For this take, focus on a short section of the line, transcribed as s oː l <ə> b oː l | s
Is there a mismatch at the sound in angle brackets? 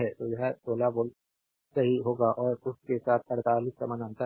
yes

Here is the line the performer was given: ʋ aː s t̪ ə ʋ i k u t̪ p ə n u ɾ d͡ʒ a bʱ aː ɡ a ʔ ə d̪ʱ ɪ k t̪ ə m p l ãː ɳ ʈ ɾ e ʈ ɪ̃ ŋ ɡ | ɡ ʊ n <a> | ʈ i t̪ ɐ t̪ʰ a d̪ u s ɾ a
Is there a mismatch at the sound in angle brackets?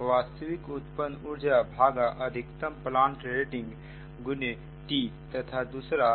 yes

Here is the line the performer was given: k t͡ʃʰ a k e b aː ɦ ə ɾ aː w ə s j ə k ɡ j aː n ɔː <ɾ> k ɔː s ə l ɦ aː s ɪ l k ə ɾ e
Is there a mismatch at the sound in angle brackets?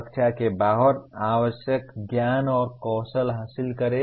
no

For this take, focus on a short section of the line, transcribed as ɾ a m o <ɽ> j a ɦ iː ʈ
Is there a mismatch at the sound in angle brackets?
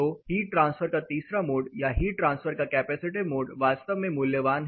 no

